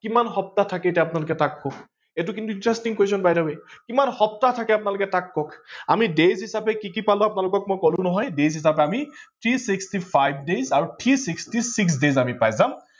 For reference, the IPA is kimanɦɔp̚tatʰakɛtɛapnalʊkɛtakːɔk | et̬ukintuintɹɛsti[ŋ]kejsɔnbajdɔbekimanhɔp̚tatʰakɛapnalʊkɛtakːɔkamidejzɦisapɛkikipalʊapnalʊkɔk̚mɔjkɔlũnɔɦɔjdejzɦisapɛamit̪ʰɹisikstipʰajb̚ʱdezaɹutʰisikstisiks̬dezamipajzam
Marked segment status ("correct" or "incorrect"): correct